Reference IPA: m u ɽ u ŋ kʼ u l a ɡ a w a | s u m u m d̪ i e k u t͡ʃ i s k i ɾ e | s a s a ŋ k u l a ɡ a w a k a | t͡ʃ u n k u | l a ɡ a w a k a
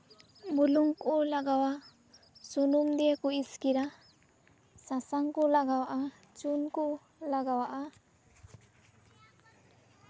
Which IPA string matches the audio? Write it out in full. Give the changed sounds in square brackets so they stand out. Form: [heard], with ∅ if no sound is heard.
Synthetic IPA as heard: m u [l] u ŋ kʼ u l a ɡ a w a | s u [n] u m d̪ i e k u [∅] i s k i ɾ [a] | s a s a ŋ k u l a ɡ a w a [ʔ] a | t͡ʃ u n k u | l a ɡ a w a [ʔ] a